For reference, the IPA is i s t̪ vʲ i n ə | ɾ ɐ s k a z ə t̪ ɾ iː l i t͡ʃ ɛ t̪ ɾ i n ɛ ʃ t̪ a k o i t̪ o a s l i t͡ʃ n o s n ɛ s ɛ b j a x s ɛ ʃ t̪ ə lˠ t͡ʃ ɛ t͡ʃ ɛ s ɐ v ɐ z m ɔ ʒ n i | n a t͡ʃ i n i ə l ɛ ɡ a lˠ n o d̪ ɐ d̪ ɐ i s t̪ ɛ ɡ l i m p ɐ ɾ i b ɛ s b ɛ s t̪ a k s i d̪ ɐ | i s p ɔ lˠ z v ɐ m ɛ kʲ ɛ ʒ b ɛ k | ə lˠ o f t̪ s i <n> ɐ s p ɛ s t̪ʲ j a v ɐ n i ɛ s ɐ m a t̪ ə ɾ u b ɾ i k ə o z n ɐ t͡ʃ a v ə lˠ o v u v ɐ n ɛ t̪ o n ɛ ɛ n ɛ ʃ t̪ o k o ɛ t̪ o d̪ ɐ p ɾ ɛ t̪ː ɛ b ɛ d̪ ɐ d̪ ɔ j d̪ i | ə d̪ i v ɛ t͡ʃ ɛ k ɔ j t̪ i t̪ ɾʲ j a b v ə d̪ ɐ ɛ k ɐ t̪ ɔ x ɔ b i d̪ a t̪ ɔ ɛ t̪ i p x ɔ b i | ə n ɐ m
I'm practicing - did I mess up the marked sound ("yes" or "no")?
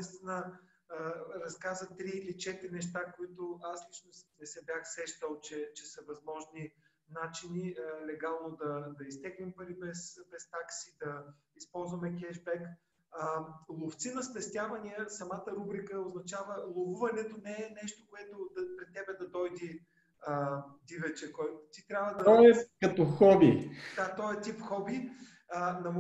no